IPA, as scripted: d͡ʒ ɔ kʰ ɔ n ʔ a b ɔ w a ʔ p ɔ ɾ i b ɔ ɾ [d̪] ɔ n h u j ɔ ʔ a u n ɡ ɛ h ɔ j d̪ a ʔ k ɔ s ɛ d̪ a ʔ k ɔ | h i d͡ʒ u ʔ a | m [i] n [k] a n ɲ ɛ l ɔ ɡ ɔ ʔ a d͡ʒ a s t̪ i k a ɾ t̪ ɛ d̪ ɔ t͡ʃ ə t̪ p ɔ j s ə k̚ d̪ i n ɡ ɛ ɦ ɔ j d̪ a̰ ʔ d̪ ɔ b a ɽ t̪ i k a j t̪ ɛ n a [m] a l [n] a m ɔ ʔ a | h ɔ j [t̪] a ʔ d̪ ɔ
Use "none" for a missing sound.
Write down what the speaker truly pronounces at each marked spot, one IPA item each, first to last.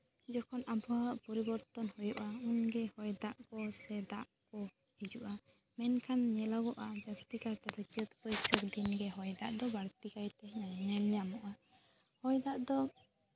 t̪, ɛ, kʰ, ɲ, ɲ, d̪

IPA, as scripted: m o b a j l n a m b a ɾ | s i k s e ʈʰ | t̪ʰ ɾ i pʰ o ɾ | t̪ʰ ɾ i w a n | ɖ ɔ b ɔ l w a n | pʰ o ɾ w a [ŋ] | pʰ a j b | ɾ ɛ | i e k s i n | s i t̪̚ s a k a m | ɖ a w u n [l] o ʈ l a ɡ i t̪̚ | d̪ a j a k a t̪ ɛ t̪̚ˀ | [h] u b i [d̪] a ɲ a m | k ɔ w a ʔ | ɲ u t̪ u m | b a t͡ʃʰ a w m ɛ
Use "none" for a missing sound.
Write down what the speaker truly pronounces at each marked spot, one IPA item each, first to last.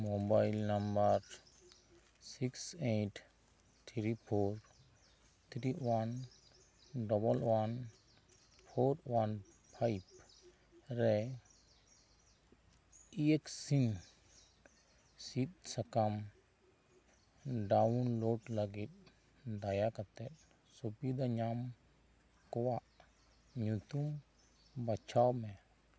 n, l, s, d̪

